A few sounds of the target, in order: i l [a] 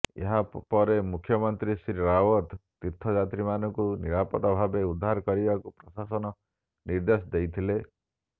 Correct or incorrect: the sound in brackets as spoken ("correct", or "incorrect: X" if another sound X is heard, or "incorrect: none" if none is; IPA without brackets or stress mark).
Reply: incorrect: e